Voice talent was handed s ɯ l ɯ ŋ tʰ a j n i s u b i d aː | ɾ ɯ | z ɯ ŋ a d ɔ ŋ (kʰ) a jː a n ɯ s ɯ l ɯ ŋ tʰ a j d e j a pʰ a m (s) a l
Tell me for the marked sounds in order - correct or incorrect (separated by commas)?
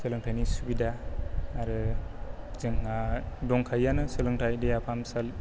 correct, correct